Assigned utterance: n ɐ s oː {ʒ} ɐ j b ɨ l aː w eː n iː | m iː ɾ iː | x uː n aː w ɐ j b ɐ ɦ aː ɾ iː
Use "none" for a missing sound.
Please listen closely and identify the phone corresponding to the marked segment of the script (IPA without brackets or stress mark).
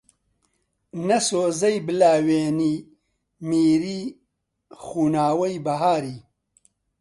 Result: z